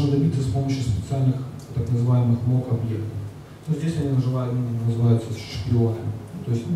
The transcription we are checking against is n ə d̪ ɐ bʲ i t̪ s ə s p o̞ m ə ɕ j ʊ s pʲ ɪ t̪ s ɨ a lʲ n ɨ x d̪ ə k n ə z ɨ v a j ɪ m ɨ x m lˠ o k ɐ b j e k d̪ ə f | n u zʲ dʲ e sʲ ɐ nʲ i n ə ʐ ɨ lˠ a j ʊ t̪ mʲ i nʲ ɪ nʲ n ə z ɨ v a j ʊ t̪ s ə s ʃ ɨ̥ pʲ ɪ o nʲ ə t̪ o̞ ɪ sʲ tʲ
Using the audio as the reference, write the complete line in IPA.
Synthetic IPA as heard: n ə d̪ ɐ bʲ i t̪ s ə s p o̞ m ə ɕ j ʊ s pʲ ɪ t̪ s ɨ a lʲ n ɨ x t̪ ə k n ə z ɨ v a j ɪ m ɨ x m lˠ o k ɐ b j e k t̪ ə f | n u zʲ dʲ e sʲ ɐ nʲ i n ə ʐ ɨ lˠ a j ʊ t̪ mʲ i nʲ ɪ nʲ n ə z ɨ v a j ʊ t̪ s ə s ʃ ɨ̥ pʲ ɪ o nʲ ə t̪ o̞ ɪ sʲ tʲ

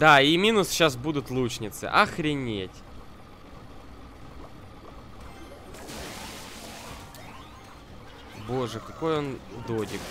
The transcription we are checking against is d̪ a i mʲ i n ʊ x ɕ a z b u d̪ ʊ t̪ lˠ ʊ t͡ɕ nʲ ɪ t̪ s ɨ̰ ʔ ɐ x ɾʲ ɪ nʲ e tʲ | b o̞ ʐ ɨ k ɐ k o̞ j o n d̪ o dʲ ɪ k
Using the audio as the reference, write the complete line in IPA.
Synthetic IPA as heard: d̪ a i mʲ i n ʊ s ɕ a s b u d̪ ʊ t̪ lˠ u t͡ɕ nʲ ɪ t̪ s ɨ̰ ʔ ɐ x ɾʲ ɪ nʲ e tʲ | b o̞ ʐ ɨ k ɐ k o̞ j o n d̪ o dʲ ɪ k

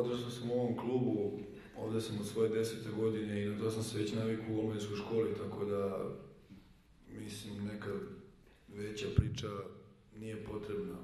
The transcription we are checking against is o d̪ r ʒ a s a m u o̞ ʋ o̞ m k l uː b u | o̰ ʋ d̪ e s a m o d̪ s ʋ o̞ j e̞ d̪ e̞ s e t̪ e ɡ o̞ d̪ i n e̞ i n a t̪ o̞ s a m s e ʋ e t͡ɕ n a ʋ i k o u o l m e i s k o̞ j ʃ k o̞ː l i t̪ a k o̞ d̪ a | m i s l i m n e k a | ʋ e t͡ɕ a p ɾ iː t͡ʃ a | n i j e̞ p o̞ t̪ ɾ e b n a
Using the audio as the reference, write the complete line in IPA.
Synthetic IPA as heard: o d̪ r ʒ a s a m u o̞ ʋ o̞ m k l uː b u | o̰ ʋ d̪ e s a m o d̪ s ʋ o̞ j e̞ d̪ e̞ s e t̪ e ɡ o̞ d̪ i n e̞ i n a t̪ o̞ s a m s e ʋ e t͡ɕ n a ʋ i k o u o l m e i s k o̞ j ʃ k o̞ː l i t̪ a k o̞ d̪ a | m i s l i m n e k a | ʋ e t͡ɕ a p ɾ iː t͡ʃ a | n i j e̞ p o̞ t̪ ɾ e b n a

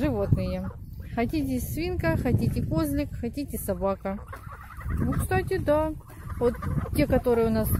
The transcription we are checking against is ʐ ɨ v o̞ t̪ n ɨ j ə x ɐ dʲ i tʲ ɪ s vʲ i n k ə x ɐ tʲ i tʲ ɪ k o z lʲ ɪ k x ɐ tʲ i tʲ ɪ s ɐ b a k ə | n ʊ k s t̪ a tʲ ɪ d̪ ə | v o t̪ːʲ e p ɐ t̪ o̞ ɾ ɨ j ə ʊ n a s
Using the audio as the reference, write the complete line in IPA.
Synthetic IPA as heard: ʐ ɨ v o̞ t̪ n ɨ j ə x ɐ tʲ i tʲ ɪ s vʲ i n k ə x ɐ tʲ i tʲ ɪ k o z lʲ ɪ k x ɐ tʲ i tʲ ɪ s ɐ b a k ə | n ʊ k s t̪ a tʲ ɪ d̪ a | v o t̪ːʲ e k ɐ t̪ o̞ ɾ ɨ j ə ʊ n a s

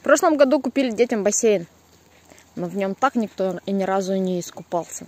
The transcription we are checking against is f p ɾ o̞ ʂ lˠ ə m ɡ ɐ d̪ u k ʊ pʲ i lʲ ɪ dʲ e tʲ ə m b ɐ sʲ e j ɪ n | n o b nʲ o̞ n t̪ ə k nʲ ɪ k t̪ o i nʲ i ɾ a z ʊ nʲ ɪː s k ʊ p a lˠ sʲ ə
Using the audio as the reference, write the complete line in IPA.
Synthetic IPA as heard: f p ɾ o̞ ʂ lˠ ə m ɡ ɐ d̪ u k ʊ pʲ i lʲ ɪ dʲ e tʲ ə m b ɐ sʲ e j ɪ n | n o v nʲ o̞ m t̪ a k nʲ ɪ k t̪ o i nʲ ɪ ɾ a z ʊ nʲ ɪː s k ʊ p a lˠ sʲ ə

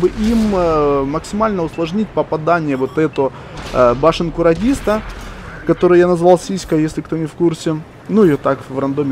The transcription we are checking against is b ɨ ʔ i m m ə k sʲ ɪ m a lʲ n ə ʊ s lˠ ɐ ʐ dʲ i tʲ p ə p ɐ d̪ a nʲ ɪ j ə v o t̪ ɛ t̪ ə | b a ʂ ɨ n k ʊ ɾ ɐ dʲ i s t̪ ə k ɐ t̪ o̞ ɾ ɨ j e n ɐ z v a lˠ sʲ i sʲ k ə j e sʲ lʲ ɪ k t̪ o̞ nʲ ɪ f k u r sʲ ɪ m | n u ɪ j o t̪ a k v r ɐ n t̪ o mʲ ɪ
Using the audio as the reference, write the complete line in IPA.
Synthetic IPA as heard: b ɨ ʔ i m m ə k sʲ ɪ m a lʲ n ə ʊ s lˠ ɐ ʐ nʲ i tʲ p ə p ɐ d̪ a nʲ ɪ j ə v o t̪ ɛ t̪ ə | b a ʂ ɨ n k ʊ ɾ ɐ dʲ i s t̪ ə k ɐ t̪ o̞ ɾ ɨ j a n ɐ z v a lˠ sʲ i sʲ k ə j e sʲ lʲ ɪ k t̪ o̞ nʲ ɪ f k u r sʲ ɪ | n u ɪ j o t̪ a k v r ɐ n d̪ o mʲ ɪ

